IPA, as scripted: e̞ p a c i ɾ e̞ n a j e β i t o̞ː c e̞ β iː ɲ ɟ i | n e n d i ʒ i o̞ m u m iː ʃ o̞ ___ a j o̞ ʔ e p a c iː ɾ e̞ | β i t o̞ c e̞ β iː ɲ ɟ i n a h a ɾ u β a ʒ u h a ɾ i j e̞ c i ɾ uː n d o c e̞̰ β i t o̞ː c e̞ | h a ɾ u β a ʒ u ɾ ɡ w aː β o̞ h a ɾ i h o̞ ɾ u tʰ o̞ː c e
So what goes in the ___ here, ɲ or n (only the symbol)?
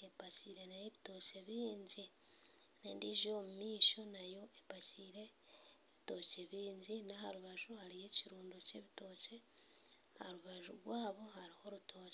n